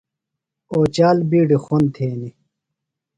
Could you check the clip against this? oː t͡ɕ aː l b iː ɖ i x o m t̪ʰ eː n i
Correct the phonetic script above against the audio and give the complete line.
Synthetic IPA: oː t͡ɕ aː l b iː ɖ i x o n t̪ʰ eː n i